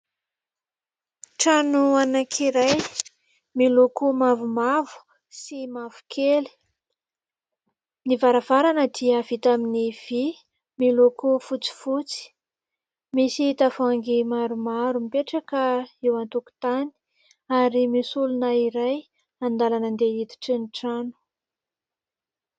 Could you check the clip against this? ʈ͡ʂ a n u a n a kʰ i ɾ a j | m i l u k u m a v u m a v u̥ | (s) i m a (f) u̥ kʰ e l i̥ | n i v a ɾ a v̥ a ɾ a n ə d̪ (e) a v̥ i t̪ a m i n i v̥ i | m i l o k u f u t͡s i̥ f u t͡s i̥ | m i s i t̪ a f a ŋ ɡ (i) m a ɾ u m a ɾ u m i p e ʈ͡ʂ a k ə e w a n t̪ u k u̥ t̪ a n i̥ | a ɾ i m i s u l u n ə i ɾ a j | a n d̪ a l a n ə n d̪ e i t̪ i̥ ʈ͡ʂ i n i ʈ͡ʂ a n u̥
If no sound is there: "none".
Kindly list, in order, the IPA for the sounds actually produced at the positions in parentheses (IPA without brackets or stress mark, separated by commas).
s, v, i, i